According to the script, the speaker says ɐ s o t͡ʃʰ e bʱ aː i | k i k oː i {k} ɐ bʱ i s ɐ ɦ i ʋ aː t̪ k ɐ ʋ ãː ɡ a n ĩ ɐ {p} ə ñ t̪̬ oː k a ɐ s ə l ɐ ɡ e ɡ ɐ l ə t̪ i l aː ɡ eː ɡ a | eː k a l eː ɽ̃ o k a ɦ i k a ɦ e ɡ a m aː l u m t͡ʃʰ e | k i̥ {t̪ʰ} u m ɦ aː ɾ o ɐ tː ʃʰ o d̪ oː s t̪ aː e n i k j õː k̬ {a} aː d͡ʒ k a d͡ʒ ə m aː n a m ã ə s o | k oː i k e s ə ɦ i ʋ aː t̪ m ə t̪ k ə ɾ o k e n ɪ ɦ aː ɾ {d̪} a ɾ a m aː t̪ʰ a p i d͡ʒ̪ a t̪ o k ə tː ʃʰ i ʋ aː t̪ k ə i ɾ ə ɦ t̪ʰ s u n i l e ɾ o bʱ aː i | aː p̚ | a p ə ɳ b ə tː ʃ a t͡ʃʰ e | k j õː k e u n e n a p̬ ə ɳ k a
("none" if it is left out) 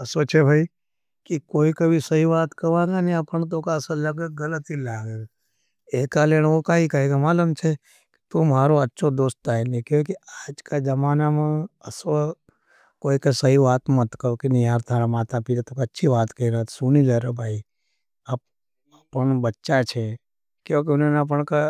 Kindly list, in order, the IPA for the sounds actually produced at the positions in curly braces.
k, p, t̪, i, t̪

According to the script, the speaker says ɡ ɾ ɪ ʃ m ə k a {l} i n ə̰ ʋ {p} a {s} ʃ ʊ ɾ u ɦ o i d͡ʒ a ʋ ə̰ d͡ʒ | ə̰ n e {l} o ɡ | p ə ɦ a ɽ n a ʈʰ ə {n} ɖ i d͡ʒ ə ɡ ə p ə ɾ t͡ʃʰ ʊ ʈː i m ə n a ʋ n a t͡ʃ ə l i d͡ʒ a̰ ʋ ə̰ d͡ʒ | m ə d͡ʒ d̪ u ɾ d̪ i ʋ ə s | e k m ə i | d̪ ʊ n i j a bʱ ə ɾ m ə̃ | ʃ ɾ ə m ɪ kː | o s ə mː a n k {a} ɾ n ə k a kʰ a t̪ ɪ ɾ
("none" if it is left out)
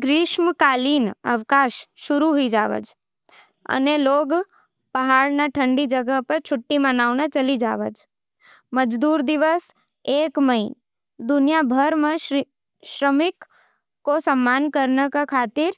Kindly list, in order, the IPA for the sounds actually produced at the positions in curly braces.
l, k, ʃ, l, ɳ, ə

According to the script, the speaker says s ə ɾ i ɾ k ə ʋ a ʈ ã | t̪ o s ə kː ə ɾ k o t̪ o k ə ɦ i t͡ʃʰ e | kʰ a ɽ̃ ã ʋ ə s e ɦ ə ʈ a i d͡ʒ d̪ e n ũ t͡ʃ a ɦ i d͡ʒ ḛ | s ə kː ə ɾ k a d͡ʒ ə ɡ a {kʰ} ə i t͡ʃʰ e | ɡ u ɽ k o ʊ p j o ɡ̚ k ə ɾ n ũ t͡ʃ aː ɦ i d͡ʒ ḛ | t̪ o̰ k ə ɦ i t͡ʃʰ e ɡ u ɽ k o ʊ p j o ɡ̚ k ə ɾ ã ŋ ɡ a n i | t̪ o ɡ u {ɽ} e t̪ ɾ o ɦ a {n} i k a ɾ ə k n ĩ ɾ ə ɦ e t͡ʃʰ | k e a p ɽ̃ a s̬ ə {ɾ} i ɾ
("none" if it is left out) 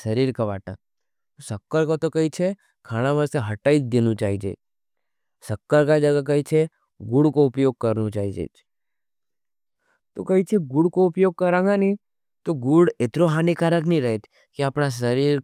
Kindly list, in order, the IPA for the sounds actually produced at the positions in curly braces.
k, ɽ, n, ɾ

